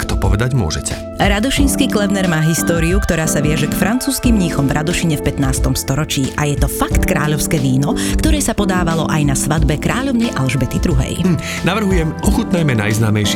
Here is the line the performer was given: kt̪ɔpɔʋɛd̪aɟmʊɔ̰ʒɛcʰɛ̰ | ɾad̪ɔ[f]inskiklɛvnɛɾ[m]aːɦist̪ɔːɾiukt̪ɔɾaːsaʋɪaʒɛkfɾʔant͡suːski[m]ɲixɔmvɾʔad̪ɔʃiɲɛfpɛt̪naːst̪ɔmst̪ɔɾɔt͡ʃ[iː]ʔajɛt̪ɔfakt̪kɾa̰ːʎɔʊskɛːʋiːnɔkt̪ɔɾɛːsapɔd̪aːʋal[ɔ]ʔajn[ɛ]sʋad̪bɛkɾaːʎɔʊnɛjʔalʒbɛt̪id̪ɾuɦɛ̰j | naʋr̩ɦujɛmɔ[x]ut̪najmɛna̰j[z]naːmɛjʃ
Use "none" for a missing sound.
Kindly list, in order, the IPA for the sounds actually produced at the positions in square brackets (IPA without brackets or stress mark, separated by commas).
ʃ, m, m, iː, ɔ, a, x, z